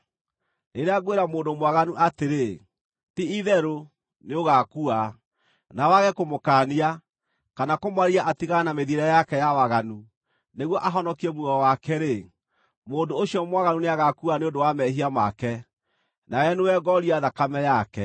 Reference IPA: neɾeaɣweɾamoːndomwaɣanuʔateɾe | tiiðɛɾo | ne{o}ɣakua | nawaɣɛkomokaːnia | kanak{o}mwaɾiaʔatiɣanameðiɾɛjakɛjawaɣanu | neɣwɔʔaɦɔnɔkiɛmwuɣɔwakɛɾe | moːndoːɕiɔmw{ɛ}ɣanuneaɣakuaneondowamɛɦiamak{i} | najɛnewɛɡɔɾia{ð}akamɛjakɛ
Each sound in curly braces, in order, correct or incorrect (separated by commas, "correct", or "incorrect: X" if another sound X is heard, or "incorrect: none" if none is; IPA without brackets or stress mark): correct, correct, incorrect: a, incorrect: ɛ, correct